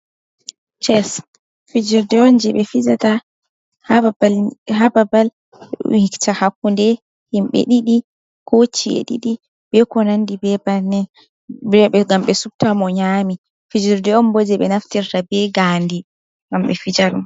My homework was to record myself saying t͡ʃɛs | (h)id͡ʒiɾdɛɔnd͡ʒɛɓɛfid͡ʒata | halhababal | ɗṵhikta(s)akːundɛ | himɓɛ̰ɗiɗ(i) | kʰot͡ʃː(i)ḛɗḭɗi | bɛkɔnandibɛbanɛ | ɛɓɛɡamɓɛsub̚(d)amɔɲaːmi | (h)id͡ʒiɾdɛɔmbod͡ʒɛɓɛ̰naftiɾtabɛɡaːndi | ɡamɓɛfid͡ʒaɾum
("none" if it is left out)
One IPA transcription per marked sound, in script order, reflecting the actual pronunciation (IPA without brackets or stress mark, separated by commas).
f, h, i, i, t, f